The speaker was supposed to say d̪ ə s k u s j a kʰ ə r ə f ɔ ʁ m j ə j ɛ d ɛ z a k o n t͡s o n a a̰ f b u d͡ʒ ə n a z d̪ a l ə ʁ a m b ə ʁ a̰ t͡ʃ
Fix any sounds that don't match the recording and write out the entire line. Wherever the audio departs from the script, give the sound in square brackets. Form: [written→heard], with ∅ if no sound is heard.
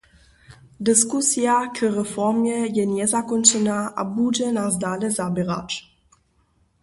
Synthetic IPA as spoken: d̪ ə s k u s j a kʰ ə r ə f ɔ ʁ m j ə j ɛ [d→n] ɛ z a k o n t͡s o n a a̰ [f→∅] b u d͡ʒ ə n a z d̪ a l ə [ʁ→z] a [m→∅] b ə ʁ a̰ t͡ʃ